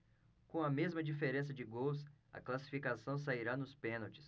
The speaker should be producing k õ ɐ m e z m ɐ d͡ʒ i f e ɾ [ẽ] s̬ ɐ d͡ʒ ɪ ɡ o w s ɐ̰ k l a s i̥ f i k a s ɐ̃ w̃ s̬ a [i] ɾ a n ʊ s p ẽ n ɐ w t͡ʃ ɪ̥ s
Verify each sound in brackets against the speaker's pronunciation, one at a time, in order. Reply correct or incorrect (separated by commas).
correct, correct